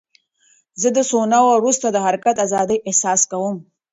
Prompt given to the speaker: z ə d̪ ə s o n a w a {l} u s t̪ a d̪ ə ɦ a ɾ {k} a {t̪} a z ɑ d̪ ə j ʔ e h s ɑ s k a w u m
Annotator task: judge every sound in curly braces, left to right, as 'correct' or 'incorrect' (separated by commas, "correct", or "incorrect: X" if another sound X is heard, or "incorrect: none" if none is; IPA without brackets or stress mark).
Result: incorrect: ɾ, correct, correct